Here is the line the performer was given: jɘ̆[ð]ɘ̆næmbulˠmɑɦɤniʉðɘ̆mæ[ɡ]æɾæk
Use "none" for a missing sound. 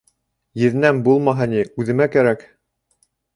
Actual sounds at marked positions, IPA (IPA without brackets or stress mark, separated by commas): ð, k